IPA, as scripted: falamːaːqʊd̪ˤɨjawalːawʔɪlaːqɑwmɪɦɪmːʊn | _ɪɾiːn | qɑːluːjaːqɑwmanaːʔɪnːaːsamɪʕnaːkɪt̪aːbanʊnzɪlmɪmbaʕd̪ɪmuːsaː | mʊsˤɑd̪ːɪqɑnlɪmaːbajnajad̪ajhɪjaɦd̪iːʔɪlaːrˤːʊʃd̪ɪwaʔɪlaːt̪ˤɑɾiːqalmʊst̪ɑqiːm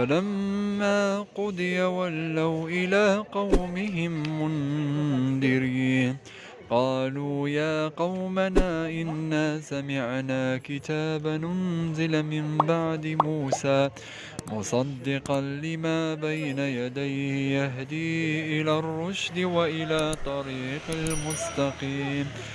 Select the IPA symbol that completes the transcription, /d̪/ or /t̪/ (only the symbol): d̪